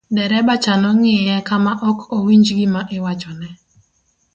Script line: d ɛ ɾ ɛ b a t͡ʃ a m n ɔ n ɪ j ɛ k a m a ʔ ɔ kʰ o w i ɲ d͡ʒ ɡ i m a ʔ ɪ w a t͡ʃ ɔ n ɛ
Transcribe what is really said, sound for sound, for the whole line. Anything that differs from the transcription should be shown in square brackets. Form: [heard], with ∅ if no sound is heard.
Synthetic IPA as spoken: d ɛ ɾ ɛ b a t͡ʃ a [∅] n ɔ [ŋ] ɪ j ɛ k a m a ʔ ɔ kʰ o w i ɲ d͡ʒ ɡ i m a ʔ ɪ w a t͡ʃ ɔ n ɛ